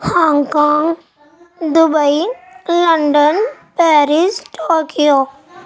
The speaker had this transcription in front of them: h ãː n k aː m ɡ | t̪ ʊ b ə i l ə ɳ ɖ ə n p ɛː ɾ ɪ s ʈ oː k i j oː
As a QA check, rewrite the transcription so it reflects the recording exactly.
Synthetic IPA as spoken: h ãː ŋ k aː ŋ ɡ | d̪ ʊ b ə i l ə ɳ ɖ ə n p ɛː ɾ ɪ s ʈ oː k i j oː